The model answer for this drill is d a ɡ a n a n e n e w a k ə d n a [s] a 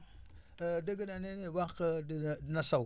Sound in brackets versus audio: correct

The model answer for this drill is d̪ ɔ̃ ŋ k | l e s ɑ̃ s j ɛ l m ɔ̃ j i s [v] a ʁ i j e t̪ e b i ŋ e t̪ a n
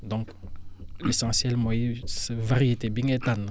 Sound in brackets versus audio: correct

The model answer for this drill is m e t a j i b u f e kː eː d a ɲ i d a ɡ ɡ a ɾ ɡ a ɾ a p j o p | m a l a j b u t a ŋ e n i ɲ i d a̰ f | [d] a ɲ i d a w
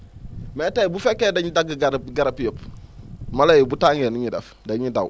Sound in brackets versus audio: correct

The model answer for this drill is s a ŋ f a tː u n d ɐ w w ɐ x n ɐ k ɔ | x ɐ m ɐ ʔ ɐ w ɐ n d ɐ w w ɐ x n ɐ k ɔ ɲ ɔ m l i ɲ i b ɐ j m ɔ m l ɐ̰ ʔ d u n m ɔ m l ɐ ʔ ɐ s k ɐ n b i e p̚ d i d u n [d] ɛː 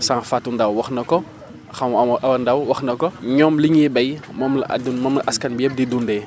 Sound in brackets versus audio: correct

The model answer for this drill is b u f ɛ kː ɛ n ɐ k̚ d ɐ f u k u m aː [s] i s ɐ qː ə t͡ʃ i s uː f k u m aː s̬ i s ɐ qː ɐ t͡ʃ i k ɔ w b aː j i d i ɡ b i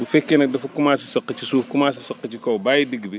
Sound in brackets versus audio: correct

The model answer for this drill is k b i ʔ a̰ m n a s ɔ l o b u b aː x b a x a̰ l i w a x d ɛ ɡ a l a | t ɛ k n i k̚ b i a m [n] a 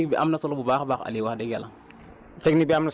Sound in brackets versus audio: correct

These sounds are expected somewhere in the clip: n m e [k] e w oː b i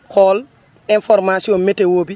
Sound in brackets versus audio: incorrect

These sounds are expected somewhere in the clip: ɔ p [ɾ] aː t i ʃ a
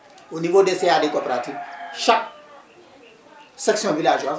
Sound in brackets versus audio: correct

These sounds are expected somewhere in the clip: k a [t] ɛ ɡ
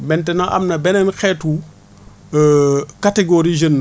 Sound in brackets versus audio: correct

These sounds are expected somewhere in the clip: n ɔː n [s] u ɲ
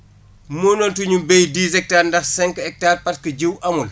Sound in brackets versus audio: incorrect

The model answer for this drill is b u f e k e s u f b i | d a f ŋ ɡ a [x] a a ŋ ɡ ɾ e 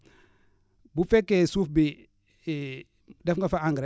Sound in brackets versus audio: incorrect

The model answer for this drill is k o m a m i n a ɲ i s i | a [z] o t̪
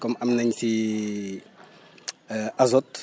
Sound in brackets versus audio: correct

